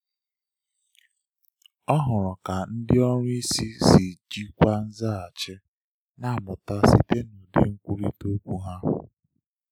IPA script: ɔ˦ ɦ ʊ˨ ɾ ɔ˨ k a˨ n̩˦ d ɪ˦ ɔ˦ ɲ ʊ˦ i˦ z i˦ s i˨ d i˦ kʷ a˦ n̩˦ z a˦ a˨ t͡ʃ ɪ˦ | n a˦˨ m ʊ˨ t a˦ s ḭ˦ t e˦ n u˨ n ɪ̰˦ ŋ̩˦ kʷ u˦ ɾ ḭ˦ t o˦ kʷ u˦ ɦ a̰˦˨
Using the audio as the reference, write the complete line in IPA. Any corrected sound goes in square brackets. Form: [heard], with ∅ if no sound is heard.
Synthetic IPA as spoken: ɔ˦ ɦ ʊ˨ ɾ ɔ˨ k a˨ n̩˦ d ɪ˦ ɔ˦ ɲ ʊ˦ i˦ [s] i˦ s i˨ [d͡ʒ] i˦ kʷ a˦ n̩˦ z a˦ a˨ t͡ʃ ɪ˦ | n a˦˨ m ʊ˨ t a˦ s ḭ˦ t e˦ n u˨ [d] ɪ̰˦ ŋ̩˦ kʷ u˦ ɾ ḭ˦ t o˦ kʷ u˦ ɦ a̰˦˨